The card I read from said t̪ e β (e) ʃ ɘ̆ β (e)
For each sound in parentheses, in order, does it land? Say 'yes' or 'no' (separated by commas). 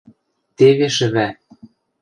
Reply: yes, no